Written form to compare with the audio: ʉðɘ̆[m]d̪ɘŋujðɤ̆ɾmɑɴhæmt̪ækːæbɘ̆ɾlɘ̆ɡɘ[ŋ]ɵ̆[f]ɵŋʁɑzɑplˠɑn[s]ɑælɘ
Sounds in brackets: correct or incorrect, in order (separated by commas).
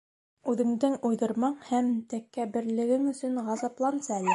incorrect, correct, incorrect, correct